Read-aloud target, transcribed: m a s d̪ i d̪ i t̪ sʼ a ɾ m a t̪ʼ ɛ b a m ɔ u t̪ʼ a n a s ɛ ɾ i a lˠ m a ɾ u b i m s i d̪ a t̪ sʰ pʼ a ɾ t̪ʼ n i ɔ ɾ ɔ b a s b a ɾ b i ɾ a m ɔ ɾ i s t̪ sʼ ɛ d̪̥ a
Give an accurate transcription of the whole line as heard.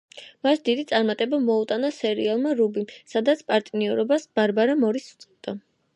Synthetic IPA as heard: m a s d̪ i d̪ i t̪ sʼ a ɾ m a t̪ʼ ɛ b a m ɔ u t̪ʼ a n a s ɛ ɾ i a lˠ m a ɾ u b i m s a d̪ a t̪ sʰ pʼ a ɾ t̪ʼ n i ɔ ɾ ɔ b a s b a ɾ b a ɾ a m ɔ ɾ i s t̪ sʼ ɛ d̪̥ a